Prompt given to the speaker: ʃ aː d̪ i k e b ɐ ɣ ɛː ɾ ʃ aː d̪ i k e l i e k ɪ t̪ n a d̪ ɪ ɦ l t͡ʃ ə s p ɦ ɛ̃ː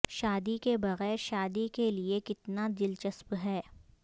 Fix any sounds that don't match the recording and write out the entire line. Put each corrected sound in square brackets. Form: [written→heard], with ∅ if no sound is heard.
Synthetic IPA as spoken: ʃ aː d̪ i k e b ɐ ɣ ɛː ɾ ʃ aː d̪ i k e l i e k ɪ t̪ n a d̪ ɪ [ɦ→∅] l t͡ʃ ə s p ɦ [ɛ̃ː→ɛː]